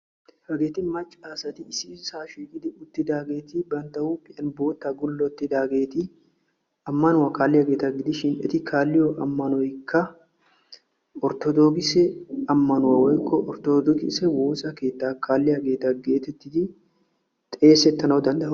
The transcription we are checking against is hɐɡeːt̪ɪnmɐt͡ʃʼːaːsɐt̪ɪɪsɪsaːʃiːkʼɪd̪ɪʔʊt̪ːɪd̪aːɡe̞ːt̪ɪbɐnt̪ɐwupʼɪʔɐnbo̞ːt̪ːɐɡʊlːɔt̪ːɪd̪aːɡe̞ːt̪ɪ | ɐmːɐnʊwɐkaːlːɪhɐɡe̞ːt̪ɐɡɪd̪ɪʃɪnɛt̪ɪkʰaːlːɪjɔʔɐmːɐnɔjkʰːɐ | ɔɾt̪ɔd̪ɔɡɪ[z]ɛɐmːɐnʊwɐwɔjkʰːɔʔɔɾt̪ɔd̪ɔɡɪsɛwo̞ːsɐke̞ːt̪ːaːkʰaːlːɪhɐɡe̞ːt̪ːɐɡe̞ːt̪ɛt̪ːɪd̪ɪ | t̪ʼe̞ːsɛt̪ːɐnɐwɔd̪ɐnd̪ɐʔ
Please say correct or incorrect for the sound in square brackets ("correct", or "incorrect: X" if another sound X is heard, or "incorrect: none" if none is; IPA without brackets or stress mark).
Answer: incorrect: s